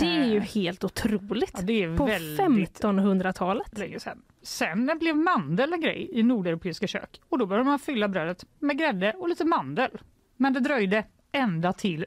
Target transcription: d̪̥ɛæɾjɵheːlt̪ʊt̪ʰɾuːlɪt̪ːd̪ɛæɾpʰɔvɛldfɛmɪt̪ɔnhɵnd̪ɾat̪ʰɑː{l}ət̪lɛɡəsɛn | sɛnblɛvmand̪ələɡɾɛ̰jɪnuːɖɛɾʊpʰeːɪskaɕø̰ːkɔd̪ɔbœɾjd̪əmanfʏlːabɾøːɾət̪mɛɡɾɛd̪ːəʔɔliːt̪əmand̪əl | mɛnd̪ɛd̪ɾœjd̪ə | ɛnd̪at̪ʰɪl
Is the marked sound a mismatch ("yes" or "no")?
no